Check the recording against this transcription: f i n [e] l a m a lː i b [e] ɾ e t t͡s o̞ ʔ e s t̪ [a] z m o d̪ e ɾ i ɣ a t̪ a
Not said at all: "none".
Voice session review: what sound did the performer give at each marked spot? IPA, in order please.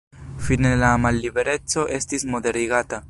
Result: e, e, i

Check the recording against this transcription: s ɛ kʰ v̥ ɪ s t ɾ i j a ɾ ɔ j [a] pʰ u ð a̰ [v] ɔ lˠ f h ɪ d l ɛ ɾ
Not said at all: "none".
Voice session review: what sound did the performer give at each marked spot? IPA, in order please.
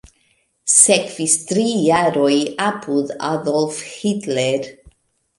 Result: a, ð

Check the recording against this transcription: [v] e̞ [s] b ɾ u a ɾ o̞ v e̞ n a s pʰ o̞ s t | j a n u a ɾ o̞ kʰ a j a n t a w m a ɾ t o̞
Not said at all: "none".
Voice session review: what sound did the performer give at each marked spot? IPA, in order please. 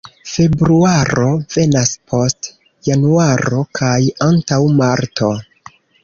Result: f, none

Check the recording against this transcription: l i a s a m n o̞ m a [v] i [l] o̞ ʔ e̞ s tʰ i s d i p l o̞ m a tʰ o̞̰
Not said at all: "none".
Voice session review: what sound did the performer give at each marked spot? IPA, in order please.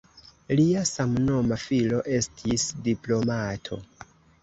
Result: f, l

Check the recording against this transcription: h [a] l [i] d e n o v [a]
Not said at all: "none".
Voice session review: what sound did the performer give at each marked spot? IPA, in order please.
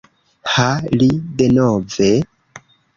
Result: a, i, e

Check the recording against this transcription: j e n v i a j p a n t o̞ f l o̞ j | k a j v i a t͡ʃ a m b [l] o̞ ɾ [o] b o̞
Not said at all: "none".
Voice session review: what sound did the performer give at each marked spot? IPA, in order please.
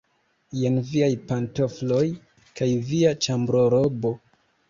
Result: ɾ, o

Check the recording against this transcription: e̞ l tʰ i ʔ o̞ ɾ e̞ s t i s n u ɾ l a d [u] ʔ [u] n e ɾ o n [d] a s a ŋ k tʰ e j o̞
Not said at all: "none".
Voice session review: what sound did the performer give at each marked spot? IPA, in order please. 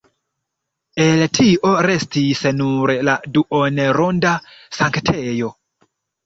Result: u, o, d

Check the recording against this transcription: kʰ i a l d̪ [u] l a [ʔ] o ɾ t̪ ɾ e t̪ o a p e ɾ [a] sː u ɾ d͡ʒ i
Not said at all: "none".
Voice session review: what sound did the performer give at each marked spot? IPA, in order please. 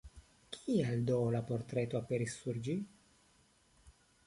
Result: o, p, i

